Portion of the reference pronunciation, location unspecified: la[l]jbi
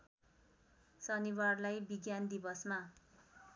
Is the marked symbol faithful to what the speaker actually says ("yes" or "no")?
no